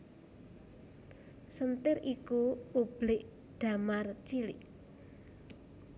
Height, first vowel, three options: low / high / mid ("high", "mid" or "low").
mid